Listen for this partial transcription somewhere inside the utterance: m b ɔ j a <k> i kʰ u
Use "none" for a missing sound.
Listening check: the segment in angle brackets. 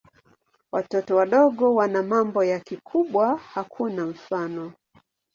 k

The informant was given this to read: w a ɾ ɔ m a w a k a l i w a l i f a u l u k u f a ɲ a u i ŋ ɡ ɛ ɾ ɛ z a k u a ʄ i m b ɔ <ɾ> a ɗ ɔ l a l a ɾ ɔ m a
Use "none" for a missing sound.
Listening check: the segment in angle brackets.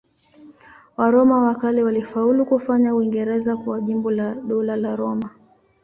l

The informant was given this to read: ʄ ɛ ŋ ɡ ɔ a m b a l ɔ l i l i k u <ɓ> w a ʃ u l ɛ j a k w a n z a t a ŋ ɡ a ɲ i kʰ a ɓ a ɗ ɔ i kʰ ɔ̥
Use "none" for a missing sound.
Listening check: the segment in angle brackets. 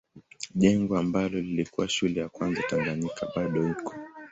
none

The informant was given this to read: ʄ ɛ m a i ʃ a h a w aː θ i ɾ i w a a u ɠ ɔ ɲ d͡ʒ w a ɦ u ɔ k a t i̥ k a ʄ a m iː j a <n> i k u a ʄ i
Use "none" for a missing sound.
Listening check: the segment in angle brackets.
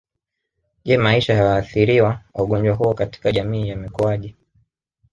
m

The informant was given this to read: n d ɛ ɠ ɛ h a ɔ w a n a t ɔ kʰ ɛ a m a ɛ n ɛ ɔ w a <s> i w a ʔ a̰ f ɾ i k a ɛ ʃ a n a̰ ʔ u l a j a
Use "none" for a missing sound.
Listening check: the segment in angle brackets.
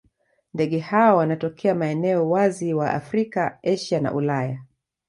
z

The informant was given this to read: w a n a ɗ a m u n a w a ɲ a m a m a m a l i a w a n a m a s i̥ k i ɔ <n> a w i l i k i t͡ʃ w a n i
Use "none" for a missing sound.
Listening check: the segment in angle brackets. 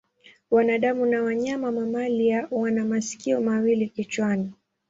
m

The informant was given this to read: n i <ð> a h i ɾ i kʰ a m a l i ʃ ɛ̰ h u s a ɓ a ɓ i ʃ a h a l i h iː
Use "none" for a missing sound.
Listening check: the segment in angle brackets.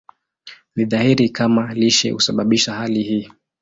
ð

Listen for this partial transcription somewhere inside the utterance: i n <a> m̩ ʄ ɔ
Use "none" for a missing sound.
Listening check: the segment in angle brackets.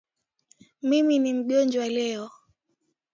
i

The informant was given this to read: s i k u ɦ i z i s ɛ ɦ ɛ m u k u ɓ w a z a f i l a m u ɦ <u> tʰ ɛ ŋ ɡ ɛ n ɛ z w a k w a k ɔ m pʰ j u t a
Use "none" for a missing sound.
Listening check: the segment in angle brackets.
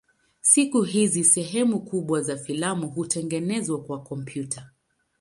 u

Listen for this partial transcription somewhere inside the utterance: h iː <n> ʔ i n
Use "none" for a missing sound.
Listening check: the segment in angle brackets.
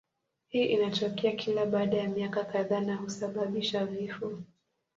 none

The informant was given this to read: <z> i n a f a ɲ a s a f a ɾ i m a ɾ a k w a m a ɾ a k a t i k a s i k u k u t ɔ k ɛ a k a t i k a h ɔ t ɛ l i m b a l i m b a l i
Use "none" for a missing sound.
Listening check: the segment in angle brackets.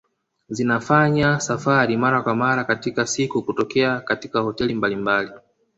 z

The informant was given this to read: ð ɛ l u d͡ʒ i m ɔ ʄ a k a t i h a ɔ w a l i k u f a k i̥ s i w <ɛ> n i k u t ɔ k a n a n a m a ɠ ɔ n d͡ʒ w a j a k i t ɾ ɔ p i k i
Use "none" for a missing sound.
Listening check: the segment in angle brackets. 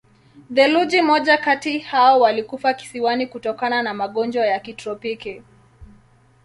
a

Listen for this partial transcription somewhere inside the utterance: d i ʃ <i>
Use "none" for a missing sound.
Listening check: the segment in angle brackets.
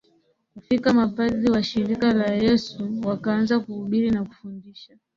a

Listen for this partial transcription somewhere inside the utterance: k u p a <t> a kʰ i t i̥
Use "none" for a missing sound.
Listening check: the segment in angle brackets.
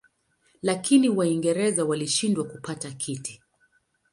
t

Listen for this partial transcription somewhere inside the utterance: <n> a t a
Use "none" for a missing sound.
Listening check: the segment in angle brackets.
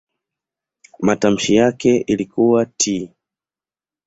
m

